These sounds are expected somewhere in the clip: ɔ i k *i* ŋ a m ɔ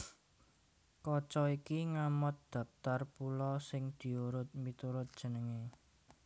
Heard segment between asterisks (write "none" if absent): i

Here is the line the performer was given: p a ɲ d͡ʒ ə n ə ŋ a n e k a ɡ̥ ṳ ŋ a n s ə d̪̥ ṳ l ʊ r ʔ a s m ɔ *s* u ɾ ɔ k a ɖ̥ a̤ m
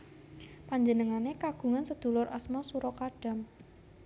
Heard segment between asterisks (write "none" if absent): s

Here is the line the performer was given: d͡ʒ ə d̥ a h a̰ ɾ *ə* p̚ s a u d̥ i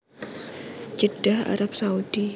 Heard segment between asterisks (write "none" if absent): a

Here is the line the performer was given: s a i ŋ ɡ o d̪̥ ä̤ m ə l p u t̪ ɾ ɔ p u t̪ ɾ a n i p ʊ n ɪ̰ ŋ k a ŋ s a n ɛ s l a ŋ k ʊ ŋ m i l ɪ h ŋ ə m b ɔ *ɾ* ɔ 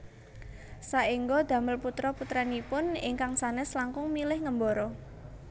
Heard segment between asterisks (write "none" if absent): ɾ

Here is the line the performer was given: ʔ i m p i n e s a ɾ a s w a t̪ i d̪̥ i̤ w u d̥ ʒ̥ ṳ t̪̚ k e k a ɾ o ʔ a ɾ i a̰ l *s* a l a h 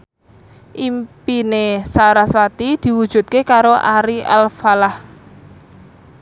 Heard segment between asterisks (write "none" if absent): f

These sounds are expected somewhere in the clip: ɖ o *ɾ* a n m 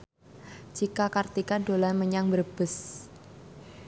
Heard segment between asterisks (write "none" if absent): l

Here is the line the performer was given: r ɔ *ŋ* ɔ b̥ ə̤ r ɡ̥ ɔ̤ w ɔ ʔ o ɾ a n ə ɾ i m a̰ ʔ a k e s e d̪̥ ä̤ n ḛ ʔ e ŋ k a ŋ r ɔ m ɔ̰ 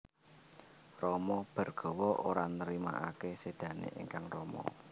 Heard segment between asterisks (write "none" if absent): m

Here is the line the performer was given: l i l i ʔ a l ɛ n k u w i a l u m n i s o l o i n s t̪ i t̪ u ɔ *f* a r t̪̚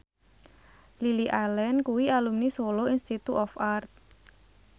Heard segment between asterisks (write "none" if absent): f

